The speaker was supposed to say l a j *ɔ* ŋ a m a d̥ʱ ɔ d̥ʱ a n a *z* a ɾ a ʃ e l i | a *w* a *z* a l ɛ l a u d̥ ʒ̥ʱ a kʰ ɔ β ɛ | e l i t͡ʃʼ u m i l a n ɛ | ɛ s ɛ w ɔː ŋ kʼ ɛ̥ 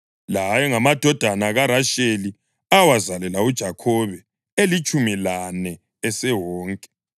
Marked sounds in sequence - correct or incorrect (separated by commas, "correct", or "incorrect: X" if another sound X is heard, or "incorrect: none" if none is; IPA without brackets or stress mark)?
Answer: correct, incorrect: ɣ, correct, correct